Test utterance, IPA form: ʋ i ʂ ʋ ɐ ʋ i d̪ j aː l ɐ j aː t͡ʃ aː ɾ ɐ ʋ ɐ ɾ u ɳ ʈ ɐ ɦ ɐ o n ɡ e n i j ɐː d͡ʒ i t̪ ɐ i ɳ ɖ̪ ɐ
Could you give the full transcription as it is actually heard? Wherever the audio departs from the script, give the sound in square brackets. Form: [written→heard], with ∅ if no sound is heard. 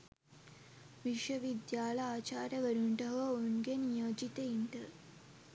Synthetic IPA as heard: ʋ i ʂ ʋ ɐ ʋ i d̪ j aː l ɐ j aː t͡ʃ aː ɾ ɐ ʋ ɐ ɾ u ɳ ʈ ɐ ɦ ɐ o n ɡ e n i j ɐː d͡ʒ i t̪ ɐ i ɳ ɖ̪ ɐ